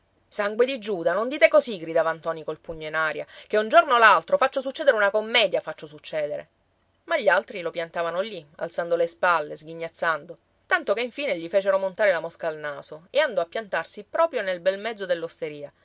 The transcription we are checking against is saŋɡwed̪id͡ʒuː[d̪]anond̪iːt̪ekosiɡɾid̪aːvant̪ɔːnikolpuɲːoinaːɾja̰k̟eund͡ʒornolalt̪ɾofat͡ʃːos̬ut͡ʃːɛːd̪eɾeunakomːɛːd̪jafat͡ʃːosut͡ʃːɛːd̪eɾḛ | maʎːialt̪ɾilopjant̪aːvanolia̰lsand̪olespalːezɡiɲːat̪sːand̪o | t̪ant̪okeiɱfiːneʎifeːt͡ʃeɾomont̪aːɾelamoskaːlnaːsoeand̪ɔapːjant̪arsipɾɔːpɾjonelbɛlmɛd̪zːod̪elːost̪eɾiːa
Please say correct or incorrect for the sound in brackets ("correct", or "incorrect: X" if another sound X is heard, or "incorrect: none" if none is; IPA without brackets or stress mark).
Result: correct